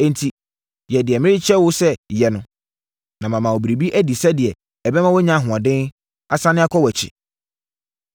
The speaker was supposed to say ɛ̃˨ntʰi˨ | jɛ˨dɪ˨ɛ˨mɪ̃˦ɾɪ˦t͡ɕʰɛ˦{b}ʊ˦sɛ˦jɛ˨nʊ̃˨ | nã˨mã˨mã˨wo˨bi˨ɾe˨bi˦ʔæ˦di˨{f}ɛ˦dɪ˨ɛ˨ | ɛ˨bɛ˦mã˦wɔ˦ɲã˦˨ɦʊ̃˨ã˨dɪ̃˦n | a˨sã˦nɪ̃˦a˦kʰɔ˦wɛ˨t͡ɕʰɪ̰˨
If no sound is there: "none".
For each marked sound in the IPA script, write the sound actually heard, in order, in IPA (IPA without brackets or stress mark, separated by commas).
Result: w, s